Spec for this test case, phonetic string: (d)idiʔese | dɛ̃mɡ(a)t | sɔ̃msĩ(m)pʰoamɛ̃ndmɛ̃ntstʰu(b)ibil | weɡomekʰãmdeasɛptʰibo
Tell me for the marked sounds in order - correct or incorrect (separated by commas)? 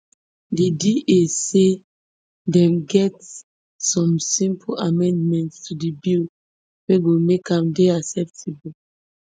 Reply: correct, incorrect, correct, incorrect